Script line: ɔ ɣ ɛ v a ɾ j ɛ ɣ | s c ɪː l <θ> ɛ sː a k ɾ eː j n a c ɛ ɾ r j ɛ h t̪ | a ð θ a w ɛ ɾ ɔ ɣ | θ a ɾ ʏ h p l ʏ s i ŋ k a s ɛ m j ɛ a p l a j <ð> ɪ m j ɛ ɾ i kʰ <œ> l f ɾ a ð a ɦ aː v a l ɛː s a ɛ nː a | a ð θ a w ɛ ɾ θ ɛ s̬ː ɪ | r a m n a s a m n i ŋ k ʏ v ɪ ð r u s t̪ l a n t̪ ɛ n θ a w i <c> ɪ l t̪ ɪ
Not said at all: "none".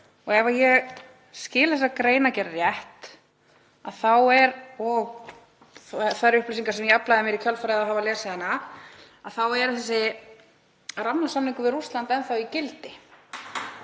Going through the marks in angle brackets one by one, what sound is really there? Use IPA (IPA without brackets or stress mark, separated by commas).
θ, ð, œ, c